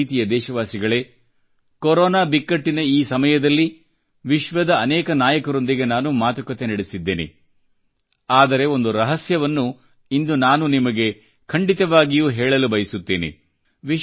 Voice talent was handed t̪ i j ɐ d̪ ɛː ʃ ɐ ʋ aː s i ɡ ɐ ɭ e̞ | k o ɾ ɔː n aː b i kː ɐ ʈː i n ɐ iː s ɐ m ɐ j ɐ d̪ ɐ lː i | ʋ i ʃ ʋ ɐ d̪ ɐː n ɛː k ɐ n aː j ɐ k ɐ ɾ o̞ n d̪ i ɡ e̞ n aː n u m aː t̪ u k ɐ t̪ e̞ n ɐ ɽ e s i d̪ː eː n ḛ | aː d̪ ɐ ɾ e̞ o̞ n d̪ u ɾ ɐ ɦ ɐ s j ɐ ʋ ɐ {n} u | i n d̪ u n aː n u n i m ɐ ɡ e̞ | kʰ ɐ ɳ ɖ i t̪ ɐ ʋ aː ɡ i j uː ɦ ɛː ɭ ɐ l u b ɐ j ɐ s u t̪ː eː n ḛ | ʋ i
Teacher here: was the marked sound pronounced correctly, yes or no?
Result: no